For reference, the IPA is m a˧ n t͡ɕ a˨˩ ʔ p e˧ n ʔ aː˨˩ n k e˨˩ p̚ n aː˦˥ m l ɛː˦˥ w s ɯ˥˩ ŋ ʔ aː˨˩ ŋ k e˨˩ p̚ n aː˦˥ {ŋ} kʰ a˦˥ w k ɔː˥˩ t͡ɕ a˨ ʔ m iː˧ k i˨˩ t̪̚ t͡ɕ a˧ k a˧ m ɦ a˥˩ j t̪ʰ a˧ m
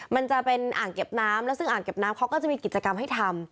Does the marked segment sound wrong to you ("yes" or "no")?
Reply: yes